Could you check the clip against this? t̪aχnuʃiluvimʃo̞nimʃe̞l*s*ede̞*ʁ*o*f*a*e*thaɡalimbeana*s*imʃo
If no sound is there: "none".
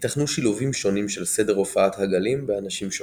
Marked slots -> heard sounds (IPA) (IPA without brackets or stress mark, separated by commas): s, ʁ, f, a, ʃ